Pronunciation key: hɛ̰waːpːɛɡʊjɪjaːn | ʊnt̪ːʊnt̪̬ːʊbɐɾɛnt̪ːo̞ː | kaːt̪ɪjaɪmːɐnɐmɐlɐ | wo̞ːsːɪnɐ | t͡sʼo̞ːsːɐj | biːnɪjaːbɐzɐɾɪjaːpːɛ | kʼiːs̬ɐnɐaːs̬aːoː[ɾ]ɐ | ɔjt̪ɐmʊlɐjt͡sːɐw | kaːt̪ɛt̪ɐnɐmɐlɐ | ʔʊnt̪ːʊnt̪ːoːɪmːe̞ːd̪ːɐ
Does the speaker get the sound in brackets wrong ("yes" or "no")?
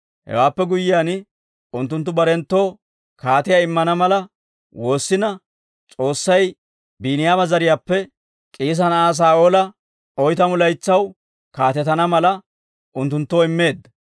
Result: yes